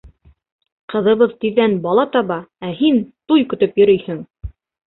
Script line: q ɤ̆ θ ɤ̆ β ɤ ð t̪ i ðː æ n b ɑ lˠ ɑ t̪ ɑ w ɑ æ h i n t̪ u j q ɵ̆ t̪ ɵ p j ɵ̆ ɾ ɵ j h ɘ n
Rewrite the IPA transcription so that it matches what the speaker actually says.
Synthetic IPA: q ɤ̆ ð ɤ̆ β ɤ ð t̪ i ðː æ n b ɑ lˠ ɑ t̪ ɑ β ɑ æ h i n t̪ u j k ɵ̆ t̪ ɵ p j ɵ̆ ɾ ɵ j h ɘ ŋ